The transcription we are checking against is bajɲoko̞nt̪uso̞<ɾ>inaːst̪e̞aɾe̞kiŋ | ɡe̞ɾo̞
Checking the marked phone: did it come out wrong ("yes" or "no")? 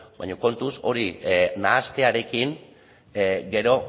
no